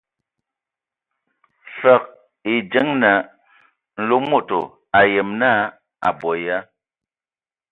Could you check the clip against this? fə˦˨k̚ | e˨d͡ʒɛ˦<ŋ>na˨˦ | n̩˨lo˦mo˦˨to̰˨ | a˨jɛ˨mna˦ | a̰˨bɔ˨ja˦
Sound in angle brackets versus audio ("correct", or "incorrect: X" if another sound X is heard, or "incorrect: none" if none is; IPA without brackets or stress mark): correct